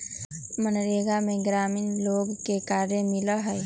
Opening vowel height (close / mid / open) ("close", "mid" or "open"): mid